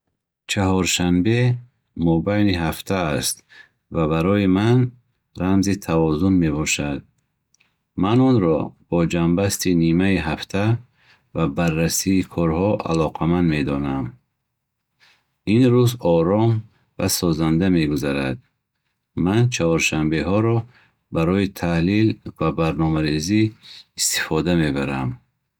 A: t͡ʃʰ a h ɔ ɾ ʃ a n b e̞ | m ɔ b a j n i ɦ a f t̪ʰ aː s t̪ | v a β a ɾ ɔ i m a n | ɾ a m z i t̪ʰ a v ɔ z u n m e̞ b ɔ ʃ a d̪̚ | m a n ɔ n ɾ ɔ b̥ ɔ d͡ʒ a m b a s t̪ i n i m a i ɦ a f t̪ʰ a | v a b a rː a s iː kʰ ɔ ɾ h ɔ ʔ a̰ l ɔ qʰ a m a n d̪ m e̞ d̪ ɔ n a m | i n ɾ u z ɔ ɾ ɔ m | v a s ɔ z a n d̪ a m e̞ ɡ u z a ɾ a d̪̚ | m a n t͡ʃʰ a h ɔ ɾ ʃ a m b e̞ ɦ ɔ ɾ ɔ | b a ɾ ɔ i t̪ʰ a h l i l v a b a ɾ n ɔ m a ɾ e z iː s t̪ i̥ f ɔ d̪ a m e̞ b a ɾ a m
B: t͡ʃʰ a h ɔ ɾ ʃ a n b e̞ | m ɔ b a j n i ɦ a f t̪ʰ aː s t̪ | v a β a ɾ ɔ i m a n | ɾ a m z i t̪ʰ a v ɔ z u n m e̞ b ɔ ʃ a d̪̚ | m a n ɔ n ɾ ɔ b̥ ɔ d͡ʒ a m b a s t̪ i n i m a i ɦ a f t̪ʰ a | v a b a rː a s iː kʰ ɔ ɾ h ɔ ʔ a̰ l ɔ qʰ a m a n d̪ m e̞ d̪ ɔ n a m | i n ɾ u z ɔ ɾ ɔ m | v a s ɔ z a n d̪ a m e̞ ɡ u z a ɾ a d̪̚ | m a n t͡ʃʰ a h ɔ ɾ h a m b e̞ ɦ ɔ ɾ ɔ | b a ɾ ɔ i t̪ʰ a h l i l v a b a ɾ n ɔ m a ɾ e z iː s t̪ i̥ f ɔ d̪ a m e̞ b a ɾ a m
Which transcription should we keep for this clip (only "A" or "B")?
A